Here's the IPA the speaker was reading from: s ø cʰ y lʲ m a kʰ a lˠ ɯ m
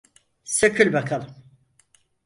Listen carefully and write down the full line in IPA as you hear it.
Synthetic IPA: s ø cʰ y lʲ b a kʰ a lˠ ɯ m